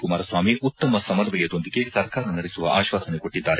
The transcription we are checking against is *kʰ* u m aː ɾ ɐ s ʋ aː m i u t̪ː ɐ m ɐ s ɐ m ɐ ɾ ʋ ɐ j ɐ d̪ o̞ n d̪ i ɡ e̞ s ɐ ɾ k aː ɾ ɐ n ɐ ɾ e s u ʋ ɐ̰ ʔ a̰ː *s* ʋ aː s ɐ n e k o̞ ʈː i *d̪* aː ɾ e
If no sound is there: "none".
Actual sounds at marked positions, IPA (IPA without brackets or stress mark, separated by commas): k, ʃ, d̪ː